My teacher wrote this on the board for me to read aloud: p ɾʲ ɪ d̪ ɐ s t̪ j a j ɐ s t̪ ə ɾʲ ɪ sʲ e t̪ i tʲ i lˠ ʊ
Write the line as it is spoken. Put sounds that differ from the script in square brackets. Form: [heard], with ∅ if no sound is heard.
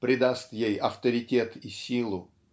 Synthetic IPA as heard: p ɾʲ ɪ d̪ [a] s t̪ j [e] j ɐ [f] t̪ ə ɾʲ ɪ [tʲ] e t̪ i [sʲ] i lˠ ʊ